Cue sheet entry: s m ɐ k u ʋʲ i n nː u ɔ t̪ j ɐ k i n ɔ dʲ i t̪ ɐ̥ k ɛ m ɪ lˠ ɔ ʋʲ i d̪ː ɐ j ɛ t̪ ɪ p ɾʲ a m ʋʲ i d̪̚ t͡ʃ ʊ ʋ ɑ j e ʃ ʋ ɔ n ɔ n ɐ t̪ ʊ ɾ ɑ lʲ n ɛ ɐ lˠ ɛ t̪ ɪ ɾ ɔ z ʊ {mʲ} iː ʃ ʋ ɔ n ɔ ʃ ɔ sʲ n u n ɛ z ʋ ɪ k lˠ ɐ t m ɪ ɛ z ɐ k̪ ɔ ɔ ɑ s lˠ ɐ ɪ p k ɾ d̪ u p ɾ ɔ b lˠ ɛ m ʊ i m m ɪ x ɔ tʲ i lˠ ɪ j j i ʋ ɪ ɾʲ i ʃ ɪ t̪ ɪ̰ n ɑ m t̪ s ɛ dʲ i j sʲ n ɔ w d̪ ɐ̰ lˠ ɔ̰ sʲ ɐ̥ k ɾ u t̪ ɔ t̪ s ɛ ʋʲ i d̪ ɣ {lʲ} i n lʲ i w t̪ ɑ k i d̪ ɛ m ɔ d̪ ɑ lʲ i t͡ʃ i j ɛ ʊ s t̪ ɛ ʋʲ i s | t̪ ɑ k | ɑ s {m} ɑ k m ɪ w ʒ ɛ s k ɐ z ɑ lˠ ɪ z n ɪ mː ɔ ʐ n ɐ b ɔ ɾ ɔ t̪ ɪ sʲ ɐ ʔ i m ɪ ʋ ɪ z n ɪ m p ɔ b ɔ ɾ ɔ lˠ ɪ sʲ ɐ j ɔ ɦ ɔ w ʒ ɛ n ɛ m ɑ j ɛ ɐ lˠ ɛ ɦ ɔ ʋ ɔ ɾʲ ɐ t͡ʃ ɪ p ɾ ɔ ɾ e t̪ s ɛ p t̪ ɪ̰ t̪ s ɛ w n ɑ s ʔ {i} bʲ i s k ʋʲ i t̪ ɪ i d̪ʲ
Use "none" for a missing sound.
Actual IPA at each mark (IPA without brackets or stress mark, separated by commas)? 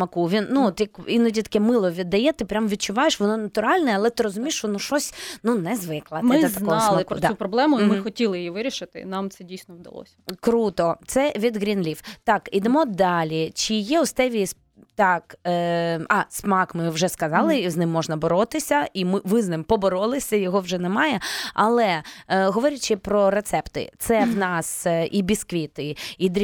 mʲ, ɾʲ, m, i